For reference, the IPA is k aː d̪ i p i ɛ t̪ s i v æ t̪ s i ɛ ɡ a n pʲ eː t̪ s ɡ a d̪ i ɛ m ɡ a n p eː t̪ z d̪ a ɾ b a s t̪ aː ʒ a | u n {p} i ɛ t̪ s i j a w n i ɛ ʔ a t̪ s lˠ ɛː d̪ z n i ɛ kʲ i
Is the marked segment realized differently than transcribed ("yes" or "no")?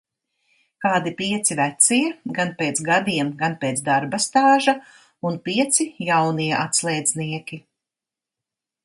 no